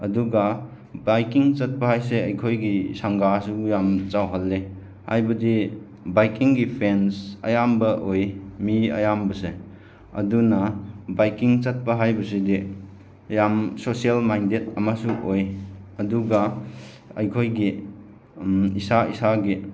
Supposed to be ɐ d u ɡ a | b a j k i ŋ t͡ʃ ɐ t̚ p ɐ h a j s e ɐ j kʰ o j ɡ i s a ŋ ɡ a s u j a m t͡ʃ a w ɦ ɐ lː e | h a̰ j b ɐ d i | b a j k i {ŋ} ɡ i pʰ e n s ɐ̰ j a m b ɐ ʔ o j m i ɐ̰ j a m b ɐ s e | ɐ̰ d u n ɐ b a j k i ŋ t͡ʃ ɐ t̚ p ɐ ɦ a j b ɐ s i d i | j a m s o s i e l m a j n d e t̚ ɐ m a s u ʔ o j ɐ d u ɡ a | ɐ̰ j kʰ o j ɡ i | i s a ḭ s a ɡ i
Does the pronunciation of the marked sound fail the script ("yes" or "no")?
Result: no